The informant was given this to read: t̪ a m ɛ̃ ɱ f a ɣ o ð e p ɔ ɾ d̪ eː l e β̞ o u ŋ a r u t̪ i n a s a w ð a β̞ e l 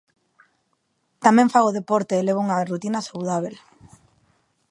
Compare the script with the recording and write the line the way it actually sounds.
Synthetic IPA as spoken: t̪ a m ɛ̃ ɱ f a ɣ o ð e p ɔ ɾ t̪ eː l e β̞ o u ŋ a r u t̪ i n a s a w ð a β̞ e l